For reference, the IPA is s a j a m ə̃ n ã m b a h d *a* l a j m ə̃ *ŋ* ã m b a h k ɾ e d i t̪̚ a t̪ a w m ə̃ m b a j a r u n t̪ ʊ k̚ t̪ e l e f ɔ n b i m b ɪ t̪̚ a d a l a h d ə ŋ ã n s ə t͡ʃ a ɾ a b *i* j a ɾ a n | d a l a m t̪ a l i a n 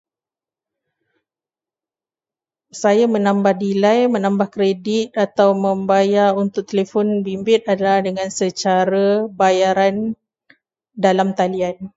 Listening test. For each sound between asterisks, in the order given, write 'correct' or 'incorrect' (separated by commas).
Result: incorrect, incorrect, incorrect